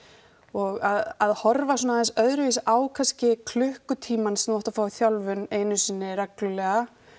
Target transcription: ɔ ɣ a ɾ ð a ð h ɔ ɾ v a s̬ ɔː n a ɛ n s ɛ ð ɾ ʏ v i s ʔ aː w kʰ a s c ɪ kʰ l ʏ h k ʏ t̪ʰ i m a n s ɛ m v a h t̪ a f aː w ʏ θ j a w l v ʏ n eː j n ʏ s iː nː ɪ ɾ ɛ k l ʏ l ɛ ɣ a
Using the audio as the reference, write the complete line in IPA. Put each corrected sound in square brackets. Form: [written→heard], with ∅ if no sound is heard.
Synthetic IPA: ɔ ɣ a [ɾ→∅] ð a ð h ɔ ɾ v a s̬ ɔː n a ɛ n s [ɛ→œ] ð ɾ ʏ v i s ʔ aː w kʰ a s c ɪ kʰ l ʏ h k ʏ t̪ʰ [i→iː] m a n s ɛ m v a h t̪ a f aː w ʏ θ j a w l v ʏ n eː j n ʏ s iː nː ɪ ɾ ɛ k l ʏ l ɛ ɣ a